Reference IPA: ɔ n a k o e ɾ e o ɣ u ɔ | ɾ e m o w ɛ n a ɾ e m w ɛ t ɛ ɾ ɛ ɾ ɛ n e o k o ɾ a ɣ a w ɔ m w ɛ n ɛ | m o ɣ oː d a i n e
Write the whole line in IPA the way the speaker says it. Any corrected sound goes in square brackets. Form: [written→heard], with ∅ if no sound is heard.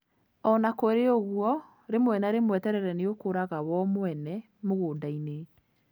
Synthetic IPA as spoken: ɔ n a k o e ɾ e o ɣ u ɔ | ɾ e m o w ɛ n a ɾ e m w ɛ t ɛ ɾ ɛ ɾ ɛ n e o k o ɾ a ɣ a w ɔ m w ɛ n ɛ | m o ɣ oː d a i n e